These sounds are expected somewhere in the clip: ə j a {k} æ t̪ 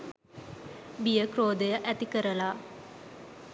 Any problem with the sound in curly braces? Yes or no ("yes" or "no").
yes